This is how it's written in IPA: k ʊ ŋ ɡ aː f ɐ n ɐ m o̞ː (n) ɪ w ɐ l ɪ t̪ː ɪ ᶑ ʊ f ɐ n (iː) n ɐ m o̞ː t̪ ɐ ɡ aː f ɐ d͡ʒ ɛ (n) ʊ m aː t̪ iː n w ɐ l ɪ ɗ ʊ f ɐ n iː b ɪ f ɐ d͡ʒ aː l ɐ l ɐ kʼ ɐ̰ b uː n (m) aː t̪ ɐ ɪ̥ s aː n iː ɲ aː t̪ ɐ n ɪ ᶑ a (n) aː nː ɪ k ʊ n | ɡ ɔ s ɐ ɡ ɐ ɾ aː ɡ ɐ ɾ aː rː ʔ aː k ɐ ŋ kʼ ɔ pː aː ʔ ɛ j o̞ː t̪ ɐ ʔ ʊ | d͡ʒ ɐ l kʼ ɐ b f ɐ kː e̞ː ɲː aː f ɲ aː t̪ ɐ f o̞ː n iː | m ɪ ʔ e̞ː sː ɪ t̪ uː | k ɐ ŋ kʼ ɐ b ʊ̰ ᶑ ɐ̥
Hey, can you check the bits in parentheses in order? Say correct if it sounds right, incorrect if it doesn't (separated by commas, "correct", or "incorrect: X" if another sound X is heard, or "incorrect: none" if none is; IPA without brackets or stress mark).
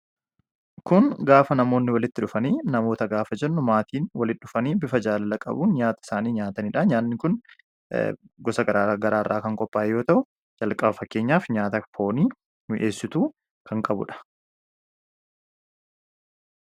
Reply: incorrect: nː, correct, incorrect: nː, incorrect: ɲ, incorrect: ɲ